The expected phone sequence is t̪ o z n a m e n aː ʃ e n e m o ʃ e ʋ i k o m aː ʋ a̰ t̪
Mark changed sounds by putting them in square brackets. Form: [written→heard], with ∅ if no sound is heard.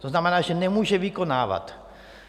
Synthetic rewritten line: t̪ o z n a m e n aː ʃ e n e m [o→u] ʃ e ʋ i k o [m→n] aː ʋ a̰ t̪